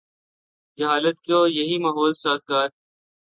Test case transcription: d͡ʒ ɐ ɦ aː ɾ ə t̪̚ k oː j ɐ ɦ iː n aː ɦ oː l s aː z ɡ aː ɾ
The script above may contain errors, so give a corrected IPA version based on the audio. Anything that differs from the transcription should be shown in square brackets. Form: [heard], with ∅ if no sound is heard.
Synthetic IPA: d͡ʒ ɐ ɦ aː [l] ə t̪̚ k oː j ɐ ɦ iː [m] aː ɦ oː l s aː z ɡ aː ɾ